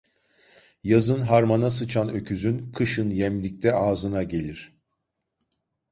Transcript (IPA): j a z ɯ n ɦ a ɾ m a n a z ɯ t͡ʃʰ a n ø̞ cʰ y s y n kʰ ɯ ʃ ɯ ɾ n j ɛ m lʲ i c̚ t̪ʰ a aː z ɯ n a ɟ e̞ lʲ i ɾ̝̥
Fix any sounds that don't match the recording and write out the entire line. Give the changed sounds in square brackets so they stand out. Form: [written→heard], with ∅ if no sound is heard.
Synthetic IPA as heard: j a z ɯ n ɦ a ɾ m a n a [z→s] ɯ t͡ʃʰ a n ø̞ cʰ y [s→z] y n kʰ ɯ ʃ ɯ [ɾ→∅] n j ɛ m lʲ i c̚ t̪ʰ [a→ɛ] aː z ɯ n a ɟ e̞ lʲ i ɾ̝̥

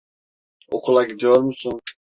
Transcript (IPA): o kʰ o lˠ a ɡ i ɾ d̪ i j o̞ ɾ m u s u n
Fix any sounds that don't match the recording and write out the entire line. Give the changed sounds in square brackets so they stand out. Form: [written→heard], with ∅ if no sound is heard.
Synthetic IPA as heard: o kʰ [o→u] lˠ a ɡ i [ɾ→∅] d̪ i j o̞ ɾ m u s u n

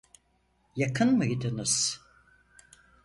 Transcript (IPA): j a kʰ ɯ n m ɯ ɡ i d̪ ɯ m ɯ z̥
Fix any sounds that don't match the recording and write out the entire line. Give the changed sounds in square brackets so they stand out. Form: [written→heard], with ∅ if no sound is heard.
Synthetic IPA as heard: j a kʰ ɯ n m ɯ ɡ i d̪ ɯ [m→n] ɯ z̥

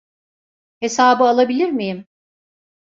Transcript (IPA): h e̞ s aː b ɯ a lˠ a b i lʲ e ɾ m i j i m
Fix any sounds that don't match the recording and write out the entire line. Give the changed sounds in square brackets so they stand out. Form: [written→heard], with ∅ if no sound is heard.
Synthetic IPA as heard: h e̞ s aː b ɯ a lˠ a b i lʲ [e→i] ɾ m i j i m

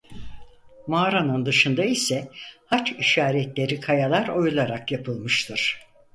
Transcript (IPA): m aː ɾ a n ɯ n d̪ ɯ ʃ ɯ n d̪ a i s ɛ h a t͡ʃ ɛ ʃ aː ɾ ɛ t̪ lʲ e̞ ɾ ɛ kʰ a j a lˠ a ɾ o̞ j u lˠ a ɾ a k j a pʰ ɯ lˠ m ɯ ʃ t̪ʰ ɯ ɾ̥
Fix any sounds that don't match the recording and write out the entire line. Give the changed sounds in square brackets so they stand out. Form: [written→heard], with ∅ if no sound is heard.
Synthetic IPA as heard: m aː ɾ a n ɯ n d̪ ɯ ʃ ɯ n d̪ a i s ɛ h a t͡ʃ [ɛ→i] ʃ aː ɾ ɛ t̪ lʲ e̞ ɾ [ɛ→i] kʰ a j a lˠ a ɾ o̞ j u lˠ a ɾ a k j a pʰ ɯ lˠ m ɯ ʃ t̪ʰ ɯ ɾ̥

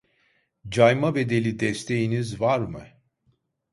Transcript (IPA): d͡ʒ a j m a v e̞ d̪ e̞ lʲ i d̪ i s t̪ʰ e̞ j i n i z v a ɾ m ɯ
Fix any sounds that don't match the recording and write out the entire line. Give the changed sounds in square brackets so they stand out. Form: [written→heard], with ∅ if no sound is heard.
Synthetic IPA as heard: d͡ʒ a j m a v e̞ d̪ e̞ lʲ i d̪ [i→ɛ] s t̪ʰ e̞ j i n i z v a ɾ m ɯ

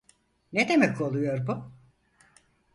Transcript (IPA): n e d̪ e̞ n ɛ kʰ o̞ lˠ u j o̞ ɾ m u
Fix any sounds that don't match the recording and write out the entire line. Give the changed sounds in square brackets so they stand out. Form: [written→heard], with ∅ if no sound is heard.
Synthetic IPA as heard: n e d̪ e̞ [n→m] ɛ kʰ o̞ lˠ u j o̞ ɾ [m→b] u

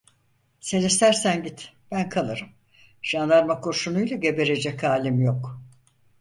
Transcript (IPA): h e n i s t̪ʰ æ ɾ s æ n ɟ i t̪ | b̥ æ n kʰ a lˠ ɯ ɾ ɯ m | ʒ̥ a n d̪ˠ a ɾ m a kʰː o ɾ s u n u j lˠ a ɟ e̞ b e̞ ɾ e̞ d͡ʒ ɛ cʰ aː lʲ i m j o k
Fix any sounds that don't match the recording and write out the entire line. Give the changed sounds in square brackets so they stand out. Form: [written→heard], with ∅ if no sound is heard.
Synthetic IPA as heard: [h→s] e n i s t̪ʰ æ ɾ s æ n ɟ i t̪ | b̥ æ n kʰ a lˠ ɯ ɾ ɯ m | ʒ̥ a n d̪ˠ a ɾ m a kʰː o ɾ [s→ʃ] u n u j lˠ a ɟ e̞ b e̞ ɾ e̞ d͡ʒ ɛ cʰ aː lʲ i m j o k

